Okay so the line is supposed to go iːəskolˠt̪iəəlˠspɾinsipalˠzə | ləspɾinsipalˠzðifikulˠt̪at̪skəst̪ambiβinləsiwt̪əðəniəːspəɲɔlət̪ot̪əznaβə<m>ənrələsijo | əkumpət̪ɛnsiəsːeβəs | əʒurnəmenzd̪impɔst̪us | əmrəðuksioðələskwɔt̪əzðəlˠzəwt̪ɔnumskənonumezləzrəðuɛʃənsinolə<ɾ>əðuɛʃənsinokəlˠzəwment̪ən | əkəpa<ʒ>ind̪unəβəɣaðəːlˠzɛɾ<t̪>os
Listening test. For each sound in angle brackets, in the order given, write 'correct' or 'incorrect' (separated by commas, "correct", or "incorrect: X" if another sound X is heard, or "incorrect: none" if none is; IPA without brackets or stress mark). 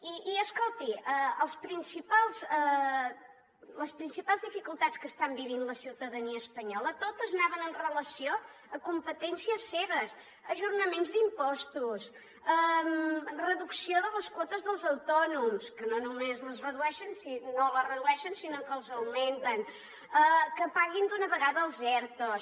incorrect: n, incorrect: r, incorrect: ɣ, correct